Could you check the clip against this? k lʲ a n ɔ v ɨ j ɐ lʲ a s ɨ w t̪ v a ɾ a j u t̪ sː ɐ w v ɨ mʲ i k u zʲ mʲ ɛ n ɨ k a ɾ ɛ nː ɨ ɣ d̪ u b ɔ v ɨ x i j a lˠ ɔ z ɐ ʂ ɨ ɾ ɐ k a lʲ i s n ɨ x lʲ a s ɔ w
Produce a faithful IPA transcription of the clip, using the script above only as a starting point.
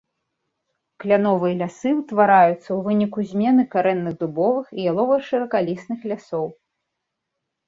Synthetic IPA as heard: k lʲ a n ɔ v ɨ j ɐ lʲ a s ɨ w t̪ v a ɾ a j u t̪ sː ɐ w v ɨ nʲ i k u zʲ mʲ ɛ n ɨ k a ɾ ɛ nː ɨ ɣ d̪ u b ɔ v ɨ x i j a lˠ ɔ v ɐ ʂ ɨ ɾ ɐ k a lʲ i s n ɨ x lʲ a s ɔ w